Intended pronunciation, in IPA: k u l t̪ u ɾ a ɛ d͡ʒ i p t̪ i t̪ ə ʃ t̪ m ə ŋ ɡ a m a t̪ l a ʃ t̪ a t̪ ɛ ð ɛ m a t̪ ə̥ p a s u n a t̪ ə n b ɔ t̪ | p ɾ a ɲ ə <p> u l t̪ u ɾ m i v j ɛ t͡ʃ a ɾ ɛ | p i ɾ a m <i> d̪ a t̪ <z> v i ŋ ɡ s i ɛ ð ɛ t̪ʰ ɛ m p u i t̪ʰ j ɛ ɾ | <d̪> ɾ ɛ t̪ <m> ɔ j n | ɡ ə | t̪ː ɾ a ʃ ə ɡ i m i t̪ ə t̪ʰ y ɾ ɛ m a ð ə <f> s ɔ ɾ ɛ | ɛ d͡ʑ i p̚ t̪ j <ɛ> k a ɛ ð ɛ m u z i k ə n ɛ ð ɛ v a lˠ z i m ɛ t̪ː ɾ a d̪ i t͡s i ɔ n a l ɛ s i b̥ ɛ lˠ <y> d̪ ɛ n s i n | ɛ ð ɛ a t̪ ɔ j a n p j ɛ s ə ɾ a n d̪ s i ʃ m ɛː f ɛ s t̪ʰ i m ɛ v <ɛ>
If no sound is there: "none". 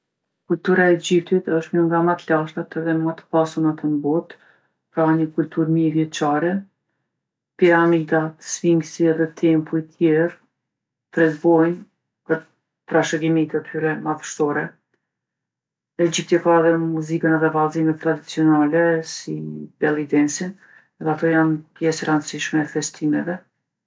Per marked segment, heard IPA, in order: k, i, s, t̪, b, ʃ, ɛ, i, ɛ

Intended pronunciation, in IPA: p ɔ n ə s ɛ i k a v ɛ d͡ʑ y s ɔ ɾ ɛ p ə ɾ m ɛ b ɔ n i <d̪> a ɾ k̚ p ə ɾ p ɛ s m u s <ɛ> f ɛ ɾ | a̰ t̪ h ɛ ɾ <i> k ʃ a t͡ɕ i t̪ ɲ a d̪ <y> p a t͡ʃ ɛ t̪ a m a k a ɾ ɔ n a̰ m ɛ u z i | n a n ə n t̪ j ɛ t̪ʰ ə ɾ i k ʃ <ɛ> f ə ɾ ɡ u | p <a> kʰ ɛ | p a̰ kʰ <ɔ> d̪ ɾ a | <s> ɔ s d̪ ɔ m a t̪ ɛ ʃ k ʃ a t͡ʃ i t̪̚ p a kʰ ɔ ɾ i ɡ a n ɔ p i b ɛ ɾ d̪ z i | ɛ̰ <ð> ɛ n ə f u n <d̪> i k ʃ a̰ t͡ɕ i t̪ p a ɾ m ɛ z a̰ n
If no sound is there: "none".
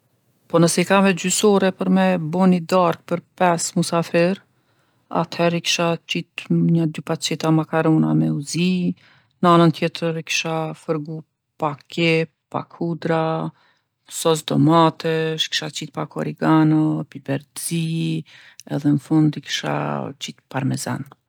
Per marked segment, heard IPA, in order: d̪, a, i, y, a, a, u, s, ð, d̪

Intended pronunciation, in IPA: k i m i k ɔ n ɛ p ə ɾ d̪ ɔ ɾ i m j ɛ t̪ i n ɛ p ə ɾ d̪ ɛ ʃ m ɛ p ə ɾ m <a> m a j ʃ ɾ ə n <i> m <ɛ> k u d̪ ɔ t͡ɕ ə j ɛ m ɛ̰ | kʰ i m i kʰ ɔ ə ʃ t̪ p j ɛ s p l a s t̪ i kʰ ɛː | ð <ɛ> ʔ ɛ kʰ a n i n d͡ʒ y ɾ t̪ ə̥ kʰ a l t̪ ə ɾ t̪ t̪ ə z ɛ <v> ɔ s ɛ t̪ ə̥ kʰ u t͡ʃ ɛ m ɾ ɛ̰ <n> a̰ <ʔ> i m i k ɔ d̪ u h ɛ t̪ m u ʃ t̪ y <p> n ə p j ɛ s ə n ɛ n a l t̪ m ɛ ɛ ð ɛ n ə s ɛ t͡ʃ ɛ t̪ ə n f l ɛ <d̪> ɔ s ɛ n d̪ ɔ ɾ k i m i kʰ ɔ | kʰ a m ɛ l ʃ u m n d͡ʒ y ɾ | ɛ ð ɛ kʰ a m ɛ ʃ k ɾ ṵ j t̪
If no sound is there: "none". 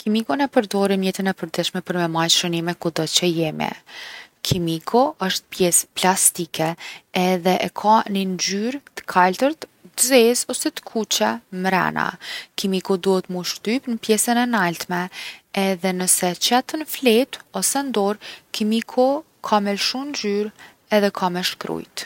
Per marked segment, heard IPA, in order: ɛ, i, ɛ, ɛ, z, n, k, p, t̪

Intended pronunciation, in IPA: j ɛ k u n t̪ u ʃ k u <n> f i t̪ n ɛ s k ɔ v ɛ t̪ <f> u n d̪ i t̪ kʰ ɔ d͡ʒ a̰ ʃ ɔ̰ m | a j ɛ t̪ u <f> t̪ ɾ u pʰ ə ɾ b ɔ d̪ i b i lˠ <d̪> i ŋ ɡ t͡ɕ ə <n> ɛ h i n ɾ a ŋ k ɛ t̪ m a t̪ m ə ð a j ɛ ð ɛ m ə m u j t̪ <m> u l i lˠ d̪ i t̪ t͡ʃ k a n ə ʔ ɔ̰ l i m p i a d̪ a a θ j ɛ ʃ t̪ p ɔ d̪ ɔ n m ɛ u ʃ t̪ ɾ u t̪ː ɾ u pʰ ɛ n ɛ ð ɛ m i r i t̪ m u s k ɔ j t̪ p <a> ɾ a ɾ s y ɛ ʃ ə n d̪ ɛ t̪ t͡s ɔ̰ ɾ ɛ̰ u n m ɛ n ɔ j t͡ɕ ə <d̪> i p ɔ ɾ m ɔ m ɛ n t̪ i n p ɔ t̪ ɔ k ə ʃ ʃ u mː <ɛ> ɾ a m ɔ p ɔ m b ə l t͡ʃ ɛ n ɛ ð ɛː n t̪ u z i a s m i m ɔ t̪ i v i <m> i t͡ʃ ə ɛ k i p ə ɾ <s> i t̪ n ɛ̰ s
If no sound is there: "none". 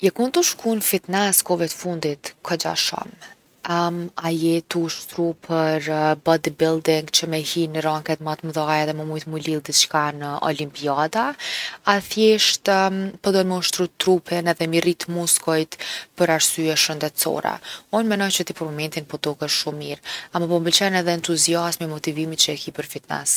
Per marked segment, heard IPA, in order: n, f, ʃ, d̪, m, m, ə, t̪, i, m, f

